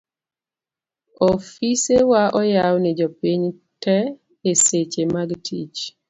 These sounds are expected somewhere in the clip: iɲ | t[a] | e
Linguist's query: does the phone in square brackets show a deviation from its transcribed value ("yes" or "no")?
yes